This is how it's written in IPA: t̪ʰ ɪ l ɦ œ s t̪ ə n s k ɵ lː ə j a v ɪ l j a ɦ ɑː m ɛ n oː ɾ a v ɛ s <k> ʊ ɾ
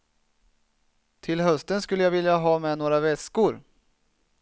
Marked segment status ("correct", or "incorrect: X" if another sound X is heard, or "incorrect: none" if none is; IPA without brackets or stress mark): correct